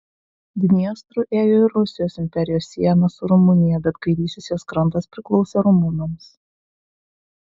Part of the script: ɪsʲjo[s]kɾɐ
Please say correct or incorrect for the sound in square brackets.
correct